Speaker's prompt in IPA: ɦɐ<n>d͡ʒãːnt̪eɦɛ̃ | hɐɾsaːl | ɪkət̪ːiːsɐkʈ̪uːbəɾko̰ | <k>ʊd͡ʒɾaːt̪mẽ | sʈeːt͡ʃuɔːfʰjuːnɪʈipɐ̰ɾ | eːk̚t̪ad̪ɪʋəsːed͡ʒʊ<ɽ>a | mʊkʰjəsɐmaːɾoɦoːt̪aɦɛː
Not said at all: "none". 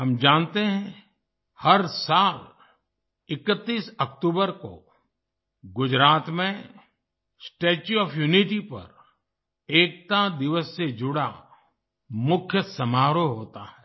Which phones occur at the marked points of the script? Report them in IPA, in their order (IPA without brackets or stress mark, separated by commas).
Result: m, ɡ, ɽ